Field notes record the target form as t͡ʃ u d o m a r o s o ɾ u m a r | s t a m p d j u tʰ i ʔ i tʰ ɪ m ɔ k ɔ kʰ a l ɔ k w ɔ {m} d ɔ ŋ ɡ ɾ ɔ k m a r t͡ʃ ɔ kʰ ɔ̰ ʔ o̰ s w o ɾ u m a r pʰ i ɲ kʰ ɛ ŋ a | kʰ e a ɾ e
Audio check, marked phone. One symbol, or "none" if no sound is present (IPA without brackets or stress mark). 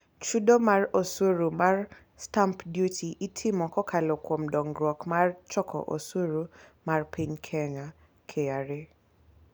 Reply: m